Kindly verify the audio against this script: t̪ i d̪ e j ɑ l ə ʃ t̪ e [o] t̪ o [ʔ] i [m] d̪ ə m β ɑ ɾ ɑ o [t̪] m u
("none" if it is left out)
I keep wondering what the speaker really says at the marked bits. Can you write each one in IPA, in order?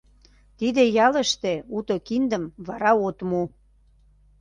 u, k, n, t̪

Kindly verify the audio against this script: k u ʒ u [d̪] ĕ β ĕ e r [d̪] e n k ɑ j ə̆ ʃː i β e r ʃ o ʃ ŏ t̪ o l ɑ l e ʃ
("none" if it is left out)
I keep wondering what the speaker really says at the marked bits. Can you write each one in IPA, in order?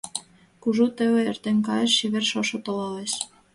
t̪, t̪

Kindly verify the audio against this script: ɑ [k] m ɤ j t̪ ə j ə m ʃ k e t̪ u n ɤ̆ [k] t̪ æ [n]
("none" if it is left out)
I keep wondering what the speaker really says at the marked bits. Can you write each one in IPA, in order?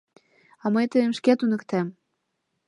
none, k, m

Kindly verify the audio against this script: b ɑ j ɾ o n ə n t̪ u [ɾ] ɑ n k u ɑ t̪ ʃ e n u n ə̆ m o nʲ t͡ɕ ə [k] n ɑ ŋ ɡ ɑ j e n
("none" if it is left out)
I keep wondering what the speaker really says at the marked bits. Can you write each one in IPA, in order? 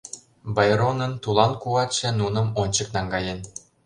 l, k

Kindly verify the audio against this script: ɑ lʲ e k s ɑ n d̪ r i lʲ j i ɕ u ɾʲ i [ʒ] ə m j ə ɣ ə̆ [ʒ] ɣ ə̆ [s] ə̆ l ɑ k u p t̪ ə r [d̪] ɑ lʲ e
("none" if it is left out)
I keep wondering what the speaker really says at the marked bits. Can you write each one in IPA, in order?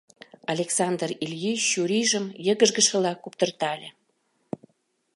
ʒ, ʒ, ʃ, t̪

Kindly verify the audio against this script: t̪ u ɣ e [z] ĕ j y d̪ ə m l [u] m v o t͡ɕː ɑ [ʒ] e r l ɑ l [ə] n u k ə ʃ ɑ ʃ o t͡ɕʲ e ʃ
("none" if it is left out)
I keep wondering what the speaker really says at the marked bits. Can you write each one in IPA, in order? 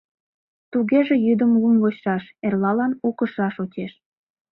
ʒ, u, ʃ, ɑ

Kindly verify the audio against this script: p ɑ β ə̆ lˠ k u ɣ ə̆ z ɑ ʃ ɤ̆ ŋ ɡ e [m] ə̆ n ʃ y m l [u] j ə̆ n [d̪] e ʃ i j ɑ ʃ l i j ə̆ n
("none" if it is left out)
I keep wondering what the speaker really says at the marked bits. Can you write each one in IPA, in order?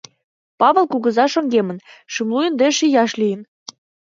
m, u, d̪

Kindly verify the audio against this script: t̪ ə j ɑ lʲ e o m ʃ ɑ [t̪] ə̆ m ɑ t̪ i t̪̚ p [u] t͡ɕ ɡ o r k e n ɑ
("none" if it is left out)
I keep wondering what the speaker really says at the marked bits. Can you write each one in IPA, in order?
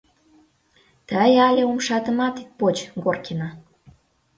t̪, o

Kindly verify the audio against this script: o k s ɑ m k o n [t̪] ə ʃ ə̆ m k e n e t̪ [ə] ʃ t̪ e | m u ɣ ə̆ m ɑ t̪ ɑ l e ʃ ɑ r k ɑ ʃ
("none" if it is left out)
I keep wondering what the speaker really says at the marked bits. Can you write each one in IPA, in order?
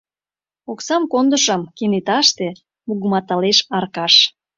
d̪, ɑ

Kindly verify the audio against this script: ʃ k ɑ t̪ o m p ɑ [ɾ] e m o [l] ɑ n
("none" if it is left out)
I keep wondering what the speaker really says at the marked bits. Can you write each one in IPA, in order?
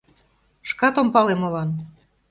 l, l

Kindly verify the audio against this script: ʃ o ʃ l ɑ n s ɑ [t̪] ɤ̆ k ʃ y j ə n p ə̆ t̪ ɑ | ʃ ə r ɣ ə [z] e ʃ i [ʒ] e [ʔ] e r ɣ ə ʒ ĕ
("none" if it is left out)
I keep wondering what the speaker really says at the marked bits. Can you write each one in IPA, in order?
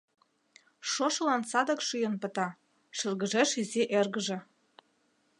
d̪, ʒ, z, ʔ

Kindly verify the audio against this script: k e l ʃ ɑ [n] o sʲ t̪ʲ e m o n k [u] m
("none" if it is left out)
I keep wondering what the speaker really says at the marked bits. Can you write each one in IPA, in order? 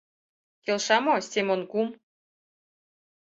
m, u

